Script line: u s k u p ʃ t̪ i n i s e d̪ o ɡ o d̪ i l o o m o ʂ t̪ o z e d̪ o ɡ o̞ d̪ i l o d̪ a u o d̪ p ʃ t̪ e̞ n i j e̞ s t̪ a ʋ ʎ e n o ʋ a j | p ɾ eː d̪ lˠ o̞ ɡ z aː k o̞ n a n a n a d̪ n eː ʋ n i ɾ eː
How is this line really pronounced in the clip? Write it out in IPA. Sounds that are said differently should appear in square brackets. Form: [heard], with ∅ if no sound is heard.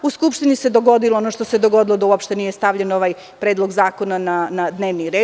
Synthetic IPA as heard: u s k u p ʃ t̪ i n i s e d̪ o ɡ o d̪ i l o o [n] o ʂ t̪ o [s] e d̪ o ɡ o̞ d̪ i l o d̪ a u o [∅] p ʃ t̪ e̞ n i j e̞ s t̪ a ʋ ʎ e n o ʋ a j | p ɾ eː d̪ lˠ o̞ ɡ z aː k o̞ n a n a n a d̪ n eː ʋ n i ɾ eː